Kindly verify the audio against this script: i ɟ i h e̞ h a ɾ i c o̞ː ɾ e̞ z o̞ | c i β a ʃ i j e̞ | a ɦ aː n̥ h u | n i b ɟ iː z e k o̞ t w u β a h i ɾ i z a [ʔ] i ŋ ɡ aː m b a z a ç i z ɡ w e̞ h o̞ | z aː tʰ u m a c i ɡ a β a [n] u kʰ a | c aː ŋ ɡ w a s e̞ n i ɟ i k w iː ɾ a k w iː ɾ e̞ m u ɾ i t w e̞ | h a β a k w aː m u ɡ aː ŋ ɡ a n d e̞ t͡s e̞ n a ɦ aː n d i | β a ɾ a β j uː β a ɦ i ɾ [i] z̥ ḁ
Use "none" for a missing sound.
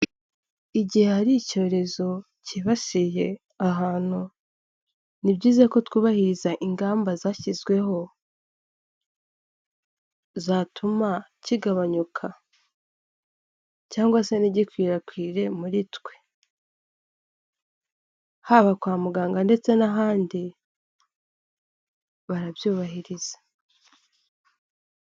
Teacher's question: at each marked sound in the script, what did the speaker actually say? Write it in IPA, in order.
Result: ʔ, ɲ, i

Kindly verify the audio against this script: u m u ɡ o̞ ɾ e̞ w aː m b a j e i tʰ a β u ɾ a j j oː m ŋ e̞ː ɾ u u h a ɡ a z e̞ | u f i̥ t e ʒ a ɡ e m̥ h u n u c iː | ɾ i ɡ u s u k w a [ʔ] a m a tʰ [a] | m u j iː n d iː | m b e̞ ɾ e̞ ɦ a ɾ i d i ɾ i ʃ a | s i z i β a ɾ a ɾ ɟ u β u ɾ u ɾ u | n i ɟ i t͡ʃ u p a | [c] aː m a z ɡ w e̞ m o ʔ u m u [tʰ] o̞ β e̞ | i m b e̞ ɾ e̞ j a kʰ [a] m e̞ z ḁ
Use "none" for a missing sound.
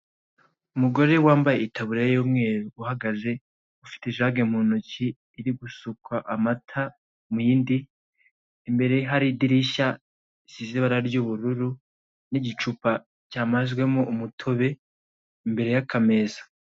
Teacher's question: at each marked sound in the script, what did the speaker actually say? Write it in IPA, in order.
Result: ʔ, a, c, tʰ, a

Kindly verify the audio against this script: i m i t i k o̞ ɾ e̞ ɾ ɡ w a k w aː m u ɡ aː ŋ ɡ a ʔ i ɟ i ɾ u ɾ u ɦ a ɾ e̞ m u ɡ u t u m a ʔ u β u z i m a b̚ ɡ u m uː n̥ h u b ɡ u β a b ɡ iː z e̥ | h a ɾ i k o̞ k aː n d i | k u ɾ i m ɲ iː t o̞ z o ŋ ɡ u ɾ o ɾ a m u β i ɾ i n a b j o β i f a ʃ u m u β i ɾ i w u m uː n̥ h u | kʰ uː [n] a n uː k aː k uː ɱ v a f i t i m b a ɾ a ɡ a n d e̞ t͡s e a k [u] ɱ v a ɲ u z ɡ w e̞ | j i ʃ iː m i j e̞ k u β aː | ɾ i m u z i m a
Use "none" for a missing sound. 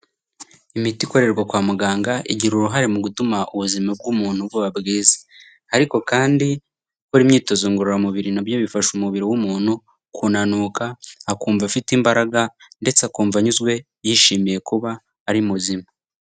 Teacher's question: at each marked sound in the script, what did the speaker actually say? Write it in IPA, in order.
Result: n, uː

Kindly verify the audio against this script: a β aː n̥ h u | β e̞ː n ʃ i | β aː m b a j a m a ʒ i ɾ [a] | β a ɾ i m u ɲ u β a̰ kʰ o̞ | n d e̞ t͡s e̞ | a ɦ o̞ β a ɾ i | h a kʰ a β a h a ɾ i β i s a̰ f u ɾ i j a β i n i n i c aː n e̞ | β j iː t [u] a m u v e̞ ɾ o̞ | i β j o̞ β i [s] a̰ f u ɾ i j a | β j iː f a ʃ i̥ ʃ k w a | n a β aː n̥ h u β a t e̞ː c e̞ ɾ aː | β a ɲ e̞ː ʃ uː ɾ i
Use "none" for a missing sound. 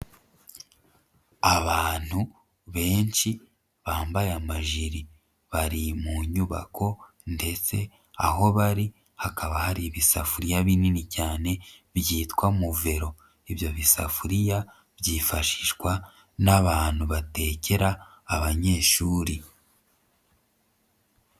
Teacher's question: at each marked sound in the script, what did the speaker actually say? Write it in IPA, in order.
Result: i, w, s

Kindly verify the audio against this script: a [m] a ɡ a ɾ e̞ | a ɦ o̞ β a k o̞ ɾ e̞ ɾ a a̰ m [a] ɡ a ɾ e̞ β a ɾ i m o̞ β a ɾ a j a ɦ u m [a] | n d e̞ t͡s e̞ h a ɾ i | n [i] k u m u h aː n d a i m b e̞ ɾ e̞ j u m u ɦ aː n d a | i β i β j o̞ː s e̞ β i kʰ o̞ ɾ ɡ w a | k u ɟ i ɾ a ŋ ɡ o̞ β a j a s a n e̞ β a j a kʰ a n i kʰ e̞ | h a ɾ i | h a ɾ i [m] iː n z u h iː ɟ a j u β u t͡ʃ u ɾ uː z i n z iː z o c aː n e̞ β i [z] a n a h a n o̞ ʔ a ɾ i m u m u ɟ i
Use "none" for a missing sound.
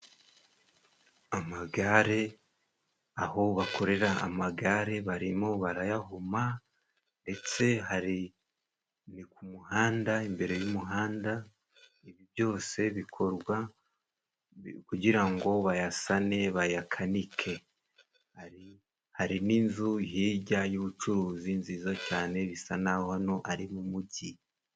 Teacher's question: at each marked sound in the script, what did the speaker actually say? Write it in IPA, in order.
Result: m, a, a, i, n, s

